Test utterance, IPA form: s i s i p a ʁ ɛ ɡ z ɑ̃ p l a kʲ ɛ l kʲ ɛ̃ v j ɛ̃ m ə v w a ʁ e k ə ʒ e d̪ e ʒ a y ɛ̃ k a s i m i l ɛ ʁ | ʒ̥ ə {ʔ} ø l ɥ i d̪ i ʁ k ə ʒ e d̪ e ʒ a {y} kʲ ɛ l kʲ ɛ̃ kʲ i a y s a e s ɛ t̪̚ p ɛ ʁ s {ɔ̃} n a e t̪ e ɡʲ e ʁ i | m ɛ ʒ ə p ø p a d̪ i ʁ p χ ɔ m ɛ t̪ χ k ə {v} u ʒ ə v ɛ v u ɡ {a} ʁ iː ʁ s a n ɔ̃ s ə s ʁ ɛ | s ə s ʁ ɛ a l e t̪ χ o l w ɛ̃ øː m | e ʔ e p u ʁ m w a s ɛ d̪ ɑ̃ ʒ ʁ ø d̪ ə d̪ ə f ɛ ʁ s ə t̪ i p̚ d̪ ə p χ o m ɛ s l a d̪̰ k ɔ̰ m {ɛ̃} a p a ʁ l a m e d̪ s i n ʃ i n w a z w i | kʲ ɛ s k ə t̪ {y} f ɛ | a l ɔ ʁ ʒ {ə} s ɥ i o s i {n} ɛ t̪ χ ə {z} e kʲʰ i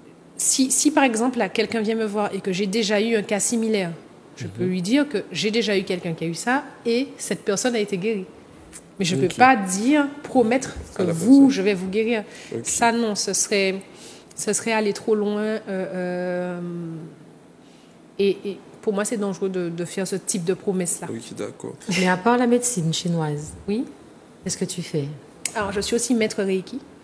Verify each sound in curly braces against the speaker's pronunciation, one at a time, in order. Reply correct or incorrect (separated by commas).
incorrect, correct, incorrect, correct, incorrect, incorrect, correct, correct, incorrect, incorrect